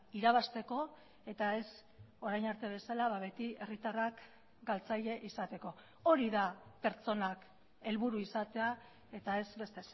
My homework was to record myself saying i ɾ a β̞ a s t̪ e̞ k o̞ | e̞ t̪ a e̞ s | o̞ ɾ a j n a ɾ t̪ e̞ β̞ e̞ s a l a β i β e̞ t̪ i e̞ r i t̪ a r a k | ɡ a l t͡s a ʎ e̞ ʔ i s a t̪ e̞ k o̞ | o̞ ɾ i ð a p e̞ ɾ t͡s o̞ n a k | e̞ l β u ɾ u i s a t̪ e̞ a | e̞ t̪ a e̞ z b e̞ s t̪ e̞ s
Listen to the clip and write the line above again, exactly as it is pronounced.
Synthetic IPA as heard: i ɾ a β̞ a s t̪ e̞ k o̞ | e̞ t̪ a e̞ s | o̞ ɾ a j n a ɾ t̪ e̞ β̞ e̞ s a l a β a β e̞ t̪ i e̞ r i t̪ a r a k | ɡ a l t͡s a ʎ e̞ ʔ i s a t̪ e̞ k o̞ | o̞ ɾ i ð a p e̞ ɾ t͡s o̞ n a k | e̞ l β u ɾ u i s a t̪ e̞ a | e̞ t̪ a e̞ z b e̞ s t̪ e̞ s